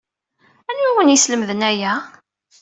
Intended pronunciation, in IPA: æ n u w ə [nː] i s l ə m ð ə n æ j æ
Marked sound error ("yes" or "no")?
yes